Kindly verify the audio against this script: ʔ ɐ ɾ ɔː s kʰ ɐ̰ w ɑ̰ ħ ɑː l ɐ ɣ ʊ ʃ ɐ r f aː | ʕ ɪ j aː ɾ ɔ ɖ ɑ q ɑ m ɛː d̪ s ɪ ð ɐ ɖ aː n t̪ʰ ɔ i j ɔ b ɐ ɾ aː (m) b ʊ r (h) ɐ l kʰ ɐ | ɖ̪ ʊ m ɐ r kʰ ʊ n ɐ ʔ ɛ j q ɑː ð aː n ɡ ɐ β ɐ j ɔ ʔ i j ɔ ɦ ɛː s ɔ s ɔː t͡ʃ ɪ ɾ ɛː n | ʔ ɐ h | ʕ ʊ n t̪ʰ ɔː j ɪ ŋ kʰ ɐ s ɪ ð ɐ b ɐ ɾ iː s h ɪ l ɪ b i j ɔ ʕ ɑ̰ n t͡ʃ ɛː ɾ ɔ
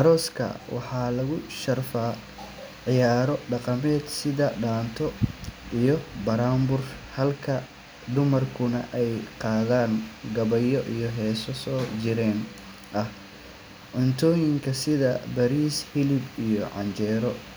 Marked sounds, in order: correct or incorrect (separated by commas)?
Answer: correct, correct